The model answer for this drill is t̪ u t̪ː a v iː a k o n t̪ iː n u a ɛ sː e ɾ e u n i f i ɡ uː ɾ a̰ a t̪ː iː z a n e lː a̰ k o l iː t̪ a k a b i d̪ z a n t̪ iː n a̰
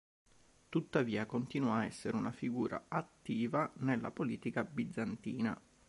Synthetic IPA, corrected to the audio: t̪ u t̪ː a v iː a k o n t̪ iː n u a ɛ sː e ɾ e u n a f i ɡ uː ɾ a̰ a t̪ː iː v a n e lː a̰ p o l iː t̪ i k a b i d̪ z a n t̪ iː n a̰